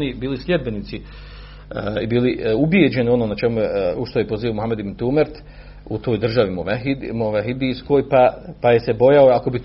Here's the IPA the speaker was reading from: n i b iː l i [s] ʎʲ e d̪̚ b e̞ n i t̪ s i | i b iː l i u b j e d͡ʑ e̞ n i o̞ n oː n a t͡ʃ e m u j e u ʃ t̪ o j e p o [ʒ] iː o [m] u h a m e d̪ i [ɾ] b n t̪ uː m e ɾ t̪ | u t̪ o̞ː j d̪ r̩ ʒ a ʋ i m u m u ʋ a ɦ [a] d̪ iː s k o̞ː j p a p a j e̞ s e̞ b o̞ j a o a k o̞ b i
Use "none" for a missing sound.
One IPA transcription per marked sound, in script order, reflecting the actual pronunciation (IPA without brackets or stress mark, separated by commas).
s, z, m, none, i